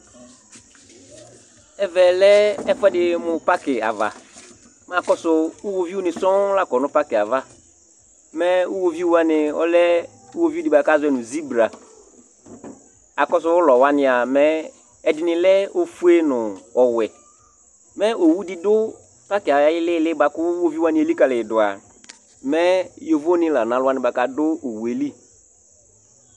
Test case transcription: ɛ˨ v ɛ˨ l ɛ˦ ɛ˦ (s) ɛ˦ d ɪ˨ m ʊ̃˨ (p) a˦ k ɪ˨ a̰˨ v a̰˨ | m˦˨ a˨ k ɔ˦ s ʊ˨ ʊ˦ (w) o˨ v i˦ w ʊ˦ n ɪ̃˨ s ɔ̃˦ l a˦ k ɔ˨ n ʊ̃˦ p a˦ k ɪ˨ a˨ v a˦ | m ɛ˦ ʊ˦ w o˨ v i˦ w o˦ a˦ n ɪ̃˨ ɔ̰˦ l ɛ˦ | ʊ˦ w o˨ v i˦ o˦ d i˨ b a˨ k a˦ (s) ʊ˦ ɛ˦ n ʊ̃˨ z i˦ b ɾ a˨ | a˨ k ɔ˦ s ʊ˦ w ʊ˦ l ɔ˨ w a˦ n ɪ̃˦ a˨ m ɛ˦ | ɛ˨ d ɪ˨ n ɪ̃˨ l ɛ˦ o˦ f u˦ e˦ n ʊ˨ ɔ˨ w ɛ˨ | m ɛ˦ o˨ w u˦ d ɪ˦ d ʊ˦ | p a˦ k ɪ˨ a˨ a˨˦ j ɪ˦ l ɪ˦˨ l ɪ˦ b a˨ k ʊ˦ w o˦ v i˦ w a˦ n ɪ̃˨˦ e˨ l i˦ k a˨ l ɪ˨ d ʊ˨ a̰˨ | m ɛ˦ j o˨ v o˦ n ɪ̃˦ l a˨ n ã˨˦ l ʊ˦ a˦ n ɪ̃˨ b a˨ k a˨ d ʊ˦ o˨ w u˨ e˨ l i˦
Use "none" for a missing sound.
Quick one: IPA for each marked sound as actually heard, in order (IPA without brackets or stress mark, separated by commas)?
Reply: f, p, w, z